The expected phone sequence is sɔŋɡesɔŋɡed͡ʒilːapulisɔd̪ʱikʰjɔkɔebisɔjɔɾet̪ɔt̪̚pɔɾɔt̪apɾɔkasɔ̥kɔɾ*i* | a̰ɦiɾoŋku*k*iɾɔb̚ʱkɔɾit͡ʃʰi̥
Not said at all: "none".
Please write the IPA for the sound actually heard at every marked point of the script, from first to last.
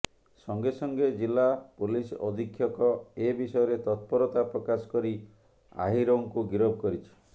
i, ɡ

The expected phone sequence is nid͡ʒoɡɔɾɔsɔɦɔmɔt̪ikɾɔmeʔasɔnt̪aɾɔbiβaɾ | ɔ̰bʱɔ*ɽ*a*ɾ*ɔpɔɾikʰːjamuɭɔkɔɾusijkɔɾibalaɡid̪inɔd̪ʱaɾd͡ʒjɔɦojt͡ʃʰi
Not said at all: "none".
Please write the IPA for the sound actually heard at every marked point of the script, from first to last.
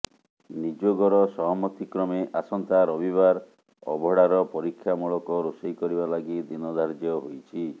ɽ, ɾ

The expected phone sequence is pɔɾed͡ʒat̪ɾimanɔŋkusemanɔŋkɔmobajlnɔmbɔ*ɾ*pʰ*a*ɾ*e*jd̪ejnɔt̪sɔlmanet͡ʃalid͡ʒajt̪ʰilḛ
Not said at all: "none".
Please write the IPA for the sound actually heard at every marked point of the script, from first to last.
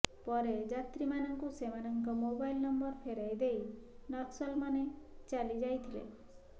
ɾ, e, a

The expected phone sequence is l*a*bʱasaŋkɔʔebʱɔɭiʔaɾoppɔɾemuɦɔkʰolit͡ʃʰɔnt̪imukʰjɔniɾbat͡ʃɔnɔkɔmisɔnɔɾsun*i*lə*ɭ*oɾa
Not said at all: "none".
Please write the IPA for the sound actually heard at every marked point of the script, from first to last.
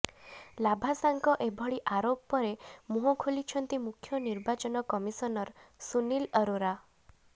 a, i, ɾ

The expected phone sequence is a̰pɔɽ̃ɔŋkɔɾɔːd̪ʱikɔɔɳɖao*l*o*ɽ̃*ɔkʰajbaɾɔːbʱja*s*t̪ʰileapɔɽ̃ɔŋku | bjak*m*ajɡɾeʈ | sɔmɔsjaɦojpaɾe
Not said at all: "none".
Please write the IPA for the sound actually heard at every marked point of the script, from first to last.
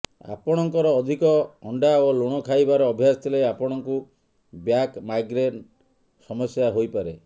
l, ɽ̃, s, m

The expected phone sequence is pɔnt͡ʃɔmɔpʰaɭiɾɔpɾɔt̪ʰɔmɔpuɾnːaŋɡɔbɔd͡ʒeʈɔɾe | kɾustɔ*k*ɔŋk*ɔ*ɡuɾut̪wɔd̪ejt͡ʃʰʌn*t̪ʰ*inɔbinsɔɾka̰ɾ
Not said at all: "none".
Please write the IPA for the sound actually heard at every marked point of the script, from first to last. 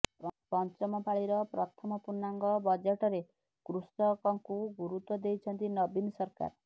k, u, t̪

